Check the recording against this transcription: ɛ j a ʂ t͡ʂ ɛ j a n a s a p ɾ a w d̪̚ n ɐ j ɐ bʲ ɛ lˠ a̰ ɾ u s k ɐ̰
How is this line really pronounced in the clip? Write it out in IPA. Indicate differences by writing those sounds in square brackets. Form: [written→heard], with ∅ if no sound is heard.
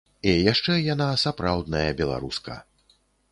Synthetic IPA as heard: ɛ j a ʂ t͡ʂ ɛ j a n a s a p ɾ a w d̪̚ n ɐ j ɐ bʲ ɛ lˠ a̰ ɾ u s k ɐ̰